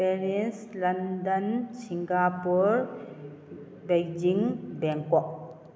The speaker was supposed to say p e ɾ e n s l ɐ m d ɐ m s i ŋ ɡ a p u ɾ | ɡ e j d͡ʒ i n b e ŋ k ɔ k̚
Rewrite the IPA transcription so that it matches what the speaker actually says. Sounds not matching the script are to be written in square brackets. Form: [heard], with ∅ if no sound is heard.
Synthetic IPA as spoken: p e ɾ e n s l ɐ [n] d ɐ [n] s i ŋ ɡ a p u ɾ | [b] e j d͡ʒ i [ŋ] b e ŋ k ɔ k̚

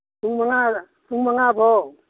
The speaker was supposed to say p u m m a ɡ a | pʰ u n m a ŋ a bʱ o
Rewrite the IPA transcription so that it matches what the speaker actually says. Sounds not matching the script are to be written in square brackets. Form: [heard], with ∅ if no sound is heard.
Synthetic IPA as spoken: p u [ŋ] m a [ŋ] a | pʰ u [ŋ] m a ŋ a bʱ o

